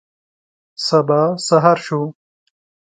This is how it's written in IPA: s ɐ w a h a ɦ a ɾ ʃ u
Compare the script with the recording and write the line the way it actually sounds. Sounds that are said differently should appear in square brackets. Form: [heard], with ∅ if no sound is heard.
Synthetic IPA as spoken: s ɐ [b] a [s] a ɦ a ɾ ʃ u